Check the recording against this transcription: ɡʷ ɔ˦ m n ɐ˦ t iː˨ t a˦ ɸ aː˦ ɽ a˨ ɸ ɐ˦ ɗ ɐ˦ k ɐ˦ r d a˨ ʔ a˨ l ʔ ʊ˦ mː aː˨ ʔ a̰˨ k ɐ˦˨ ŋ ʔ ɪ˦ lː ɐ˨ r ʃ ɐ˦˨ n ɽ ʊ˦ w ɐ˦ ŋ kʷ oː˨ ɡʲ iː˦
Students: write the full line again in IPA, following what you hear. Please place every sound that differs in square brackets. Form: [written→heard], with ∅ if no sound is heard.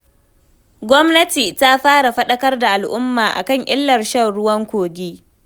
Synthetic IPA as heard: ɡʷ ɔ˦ m n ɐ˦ t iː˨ t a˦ ɸ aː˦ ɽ a˨ ɸ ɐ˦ ɗ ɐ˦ k ɐ˦ r d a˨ ʔ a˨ l ʔ ʊ˦ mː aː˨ ʔ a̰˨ k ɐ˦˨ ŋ ʔ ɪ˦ lː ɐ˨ r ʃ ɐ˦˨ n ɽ ʊ˦ w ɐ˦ ŋ kʷ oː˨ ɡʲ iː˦